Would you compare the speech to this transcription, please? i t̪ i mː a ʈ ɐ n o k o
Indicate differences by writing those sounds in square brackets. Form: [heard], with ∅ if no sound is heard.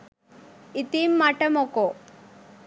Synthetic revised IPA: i t̪ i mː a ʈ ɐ [m] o k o